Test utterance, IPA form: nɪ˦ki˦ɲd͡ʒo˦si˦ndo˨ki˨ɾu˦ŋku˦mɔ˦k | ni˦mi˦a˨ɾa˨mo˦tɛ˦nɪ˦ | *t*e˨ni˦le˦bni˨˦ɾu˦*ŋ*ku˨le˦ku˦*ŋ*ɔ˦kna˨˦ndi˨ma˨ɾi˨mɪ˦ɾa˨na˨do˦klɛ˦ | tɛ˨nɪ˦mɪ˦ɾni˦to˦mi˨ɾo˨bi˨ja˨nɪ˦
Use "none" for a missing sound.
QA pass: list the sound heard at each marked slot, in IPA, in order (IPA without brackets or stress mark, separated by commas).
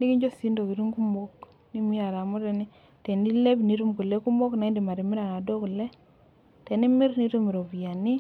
t, m, m